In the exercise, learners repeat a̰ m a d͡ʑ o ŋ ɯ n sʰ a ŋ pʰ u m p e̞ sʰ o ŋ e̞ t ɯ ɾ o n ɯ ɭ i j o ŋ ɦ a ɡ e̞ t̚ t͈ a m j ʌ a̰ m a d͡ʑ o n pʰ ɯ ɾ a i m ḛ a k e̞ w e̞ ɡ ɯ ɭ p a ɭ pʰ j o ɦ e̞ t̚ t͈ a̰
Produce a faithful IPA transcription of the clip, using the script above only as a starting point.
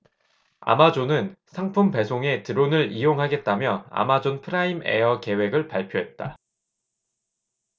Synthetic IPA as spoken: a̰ m a d͡ʑ o n ɯ n sʰ a ŋ pʰ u m p e̞ sʰ o ŋ e̞ t ɯ ɾ o n ɯ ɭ i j o ŋ ɦ a ɡ e̞ t̚ t͈ a m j ʌ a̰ m a d͡ʑ o n pʰ ɯ ɾ a i m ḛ ʌ k e̞ w e̞ ɡ ɯ ɭ p a ɭ pʰ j o ɦ e̞ t̚ t͈ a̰